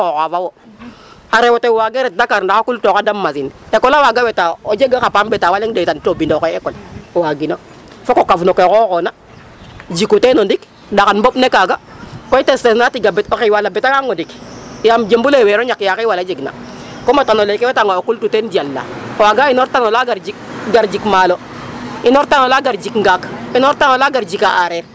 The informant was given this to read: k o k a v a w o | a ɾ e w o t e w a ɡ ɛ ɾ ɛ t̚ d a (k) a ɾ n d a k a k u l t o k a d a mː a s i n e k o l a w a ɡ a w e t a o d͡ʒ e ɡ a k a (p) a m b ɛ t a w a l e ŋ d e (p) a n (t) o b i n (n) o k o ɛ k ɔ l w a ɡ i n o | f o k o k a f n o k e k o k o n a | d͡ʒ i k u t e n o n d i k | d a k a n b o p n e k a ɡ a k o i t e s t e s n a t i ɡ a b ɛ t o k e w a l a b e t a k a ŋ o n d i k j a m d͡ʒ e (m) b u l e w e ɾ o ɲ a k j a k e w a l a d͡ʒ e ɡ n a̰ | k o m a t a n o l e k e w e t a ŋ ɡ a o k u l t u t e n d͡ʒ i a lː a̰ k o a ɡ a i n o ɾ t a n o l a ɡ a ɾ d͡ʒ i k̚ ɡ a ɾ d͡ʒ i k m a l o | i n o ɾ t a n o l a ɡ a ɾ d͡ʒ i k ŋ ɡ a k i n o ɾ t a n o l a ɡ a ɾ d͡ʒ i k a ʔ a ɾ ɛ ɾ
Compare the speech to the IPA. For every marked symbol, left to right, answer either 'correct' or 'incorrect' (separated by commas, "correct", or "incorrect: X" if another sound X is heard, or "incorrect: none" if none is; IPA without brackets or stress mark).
correct, correct, incorrect: t, correct, incorrect: d, correct